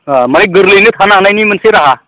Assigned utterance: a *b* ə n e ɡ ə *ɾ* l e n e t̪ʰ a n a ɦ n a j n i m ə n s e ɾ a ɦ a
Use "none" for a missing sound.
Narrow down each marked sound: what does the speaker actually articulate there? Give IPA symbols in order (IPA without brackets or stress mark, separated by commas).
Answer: m, ɾ